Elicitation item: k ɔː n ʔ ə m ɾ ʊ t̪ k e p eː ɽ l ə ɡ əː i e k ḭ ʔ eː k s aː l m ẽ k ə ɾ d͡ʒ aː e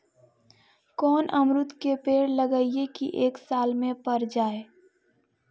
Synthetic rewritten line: k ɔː n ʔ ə m ɾ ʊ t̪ k e p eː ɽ l ə ɡ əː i e k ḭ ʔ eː k s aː l m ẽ p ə ɾ d͡ʒ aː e